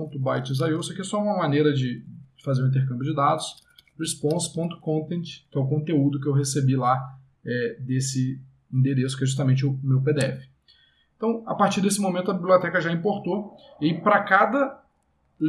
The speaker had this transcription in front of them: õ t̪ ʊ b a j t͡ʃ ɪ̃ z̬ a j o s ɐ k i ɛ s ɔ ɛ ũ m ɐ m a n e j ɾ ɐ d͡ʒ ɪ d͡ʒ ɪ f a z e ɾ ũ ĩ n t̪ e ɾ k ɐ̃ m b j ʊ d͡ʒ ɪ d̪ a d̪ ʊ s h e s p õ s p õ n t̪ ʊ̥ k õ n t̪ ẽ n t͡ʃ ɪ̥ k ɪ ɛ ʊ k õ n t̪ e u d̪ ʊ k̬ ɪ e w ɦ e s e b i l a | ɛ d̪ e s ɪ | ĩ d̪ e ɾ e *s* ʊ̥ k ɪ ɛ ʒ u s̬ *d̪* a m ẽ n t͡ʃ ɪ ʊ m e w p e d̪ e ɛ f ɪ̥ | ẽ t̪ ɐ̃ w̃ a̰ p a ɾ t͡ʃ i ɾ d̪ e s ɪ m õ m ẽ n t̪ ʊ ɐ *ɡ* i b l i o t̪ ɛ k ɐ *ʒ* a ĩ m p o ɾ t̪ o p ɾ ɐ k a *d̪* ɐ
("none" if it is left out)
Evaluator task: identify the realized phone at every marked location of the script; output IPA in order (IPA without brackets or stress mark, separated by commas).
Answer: s, t̪, b, ʒ, d̪